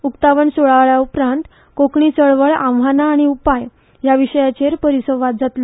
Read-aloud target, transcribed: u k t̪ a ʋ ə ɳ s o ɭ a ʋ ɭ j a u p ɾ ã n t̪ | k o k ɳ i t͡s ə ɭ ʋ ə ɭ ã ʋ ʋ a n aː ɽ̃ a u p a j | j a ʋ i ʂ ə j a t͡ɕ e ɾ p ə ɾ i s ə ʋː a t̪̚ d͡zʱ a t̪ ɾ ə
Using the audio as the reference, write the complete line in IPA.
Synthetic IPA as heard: u k t̪ a ʋ ə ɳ s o ɭ a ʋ ɭ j a u p ɾ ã n t̪ | k o k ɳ i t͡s ə ɭ ʋ ə ɭ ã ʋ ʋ a n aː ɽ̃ i u p a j | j a ʋ i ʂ ə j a t͡ɕ e ɾ p ə ɾ i s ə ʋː a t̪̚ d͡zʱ a t̪ l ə